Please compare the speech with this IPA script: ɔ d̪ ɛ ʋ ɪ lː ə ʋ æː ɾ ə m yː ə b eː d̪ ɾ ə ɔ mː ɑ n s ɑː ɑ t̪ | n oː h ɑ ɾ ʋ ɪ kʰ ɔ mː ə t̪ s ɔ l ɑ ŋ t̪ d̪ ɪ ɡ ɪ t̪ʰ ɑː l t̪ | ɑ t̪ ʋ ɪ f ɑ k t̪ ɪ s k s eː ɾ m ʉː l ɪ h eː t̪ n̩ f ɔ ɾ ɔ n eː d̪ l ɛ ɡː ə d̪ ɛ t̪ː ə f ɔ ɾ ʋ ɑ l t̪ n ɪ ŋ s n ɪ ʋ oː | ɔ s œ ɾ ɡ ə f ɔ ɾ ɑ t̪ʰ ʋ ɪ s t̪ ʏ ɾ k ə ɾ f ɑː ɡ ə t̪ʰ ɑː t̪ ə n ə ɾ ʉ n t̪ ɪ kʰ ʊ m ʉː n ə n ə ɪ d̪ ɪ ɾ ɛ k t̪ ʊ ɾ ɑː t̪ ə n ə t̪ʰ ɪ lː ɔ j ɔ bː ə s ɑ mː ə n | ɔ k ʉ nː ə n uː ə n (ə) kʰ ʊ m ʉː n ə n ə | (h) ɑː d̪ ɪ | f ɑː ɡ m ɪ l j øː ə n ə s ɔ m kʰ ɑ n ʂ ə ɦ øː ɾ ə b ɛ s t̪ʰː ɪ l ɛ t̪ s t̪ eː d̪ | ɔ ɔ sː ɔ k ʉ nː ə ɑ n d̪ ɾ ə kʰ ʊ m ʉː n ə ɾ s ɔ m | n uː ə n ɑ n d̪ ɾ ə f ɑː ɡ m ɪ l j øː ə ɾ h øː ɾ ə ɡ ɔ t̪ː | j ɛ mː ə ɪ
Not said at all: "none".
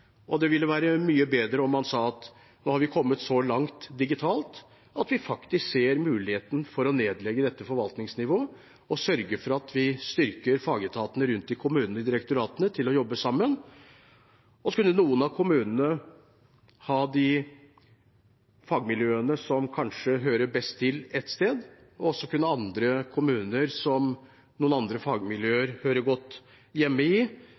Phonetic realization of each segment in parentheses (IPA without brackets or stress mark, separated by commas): ɑ, h